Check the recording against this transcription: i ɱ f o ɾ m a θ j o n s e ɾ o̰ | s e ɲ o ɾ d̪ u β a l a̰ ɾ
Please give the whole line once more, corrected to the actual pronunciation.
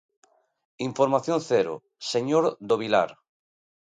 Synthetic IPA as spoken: i ɱ f o ɾ m a θ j o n θ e ɾ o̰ | s e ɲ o ɾ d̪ o β i l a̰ ɾ